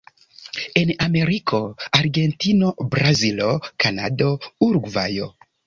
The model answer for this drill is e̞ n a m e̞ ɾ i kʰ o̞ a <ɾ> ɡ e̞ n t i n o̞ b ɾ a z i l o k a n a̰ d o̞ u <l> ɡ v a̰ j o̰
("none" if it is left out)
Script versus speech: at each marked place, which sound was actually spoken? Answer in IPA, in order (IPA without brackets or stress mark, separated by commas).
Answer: ɾ, ɾ